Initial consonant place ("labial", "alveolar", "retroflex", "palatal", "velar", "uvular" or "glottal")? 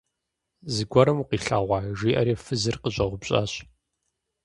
alveolar